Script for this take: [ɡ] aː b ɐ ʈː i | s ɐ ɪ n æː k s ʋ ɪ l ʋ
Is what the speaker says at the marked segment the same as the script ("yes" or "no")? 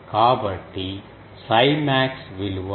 no